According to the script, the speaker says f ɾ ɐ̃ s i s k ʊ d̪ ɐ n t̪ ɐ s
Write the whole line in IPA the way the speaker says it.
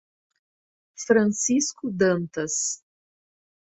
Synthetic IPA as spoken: f ɾ ɐ̃ s i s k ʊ d̪ ɐ̃ n t̪ ɐ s